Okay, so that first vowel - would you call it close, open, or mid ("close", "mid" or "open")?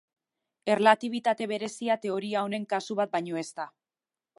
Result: mid